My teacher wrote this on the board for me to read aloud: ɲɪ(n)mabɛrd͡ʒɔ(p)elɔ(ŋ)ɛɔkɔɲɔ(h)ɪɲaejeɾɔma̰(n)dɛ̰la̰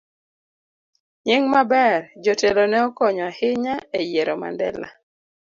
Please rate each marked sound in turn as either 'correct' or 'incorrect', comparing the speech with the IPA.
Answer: incorrect: ŋ, incorrect: t, incorrect: n, correct, correct

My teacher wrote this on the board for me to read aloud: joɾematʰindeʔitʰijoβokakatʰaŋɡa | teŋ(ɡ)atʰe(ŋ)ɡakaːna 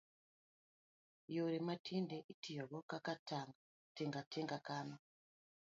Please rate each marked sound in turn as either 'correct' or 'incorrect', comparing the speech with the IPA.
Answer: correct, correct

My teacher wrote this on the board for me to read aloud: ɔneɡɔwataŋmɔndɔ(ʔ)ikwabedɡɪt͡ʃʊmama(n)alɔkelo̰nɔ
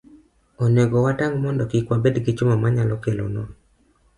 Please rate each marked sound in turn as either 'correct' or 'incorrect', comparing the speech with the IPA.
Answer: incorrect: k, incorrect: ɲ

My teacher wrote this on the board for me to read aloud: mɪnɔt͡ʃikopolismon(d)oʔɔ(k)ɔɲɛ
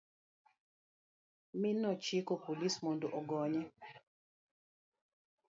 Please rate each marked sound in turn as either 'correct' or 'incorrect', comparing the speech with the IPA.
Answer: correct, incorrect: ɡ

